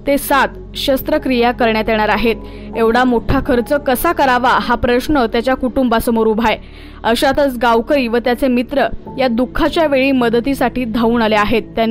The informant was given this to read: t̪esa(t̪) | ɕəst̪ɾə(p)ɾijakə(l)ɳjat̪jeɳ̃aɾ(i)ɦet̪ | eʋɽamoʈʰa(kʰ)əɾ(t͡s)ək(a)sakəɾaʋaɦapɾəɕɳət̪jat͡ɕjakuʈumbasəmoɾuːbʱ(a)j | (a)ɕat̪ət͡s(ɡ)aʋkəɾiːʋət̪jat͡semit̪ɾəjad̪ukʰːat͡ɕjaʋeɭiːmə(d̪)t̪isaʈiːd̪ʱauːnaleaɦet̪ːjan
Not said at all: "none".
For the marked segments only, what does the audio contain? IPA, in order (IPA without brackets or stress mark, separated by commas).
t̪, k, ɾ, a, kʰ, t͡s, ə, a, ə, ɡ, d̪